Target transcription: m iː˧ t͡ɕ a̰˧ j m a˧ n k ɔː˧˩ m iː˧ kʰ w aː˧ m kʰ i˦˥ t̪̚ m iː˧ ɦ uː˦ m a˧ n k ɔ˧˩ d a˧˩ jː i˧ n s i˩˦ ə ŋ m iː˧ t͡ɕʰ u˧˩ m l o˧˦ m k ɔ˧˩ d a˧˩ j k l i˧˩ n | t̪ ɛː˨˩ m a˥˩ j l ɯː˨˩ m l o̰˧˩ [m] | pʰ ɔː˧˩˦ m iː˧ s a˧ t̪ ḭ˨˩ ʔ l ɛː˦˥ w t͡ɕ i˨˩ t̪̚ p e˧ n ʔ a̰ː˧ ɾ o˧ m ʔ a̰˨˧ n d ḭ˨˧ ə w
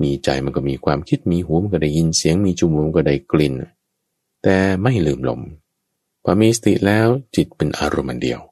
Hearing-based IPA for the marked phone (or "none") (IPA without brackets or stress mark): m